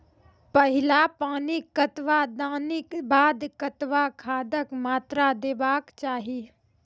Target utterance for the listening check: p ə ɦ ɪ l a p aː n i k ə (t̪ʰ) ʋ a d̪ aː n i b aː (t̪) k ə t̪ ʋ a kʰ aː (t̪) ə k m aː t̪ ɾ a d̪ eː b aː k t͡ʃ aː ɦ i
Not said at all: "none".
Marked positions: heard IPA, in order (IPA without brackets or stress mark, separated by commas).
t̪, d̪, d̪